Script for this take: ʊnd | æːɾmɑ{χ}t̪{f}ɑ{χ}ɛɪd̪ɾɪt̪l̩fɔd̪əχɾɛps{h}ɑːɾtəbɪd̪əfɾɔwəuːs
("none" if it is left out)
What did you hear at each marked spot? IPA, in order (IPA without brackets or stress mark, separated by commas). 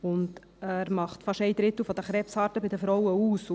χ, f, ʃ, h